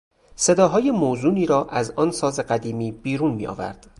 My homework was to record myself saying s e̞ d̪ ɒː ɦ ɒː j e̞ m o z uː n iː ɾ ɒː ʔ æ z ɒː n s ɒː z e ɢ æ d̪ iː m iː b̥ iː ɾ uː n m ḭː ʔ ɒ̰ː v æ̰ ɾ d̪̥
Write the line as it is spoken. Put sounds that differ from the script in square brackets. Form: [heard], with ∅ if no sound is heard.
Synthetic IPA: s e̞ d̪ ɒː ɦ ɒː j e̞ m o z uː n iː ɾ ɒː ʔ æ z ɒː n s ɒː z e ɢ æ d̪ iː m iː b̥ iː ɾ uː n m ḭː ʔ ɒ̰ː v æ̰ ɾ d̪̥